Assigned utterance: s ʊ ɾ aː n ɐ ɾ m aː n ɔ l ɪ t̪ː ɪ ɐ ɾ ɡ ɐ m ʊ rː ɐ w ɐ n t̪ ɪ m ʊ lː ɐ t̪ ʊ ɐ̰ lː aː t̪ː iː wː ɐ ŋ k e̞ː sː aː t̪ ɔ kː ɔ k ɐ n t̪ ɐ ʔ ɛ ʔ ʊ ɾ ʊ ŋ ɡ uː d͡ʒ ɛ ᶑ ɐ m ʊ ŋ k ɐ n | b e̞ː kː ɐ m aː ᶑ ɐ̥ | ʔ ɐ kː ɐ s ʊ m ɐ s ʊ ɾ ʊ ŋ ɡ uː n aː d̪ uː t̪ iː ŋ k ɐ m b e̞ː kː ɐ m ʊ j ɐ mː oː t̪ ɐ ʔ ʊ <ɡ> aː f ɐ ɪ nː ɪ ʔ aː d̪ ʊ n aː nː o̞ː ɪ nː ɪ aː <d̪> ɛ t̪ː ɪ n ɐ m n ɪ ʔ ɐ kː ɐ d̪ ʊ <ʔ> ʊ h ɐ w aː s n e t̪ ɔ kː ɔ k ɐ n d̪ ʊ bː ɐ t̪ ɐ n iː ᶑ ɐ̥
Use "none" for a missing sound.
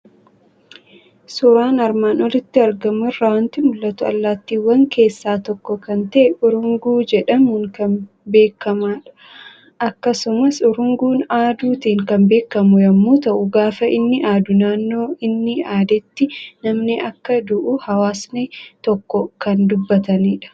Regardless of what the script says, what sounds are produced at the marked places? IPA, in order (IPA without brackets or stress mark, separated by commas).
ɡ, d̪, ʔ